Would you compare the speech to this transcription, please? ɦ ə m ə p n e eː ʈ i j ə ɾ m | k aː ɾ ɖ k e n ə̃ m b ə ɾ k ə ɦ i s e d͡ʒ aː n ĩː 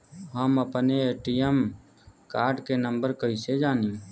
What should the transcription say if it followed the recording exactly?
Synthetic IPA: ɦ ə m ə p n e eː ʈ i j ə m | k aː ɾ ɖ k e n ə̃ m b ə ɾ k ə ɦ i s e d͡ʒ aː n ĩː